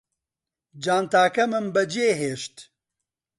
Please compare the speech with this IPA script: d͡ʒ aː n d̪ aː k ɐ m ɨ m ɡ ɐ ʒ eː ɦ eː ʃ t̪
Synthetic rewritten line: d͡ʒ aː n t̪ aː k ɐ m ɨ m b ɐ d͡ʒ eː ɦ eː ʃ t̪